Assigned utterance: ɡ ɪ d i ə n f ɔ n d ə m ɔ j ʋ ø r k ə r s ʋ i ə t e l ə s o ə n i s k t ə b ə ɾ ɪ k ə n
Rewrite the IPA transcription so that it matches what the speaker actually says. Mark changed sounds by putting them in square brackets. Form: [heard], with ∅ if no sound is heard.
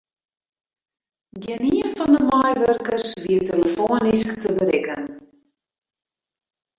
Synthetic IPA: ɡ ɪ [n] i ə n f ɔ n d ə m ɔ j ʋ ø r k ə r s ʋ i ə t e l ə [f] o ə n i s k t ə b ə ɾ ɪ k ə n